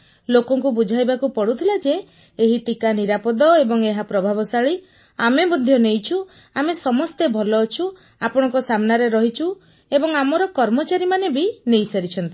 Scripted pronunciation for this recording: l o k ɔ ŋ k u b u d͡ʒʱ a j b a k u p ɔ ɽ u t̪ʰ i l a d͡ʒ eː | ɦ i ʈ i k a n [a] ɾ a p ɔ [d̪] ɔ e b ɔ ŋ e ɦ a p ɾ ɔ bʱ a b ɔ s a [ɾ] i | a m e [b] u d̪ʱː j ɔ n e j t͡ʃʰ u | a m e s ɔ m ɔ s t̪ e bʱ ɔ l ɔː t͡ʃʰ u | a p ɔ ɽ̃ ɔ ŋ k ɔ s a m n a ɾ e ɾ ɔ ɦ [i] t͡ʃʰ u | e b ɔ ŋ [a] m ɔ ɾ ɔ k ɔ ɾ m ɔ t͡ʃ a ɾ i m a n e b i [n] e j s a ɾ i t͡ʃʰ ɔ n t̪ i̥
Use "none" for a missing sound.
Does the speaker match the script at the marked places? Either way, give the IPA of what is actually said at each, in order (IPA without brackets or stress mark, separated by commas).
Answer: i, d̪, ɭ, b, i, a, n